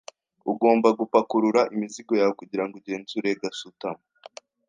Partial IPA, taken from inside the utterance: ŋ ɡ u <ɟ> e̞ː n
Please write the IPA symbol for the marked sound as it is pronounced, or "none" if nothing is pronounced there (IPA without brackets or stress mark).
ɟ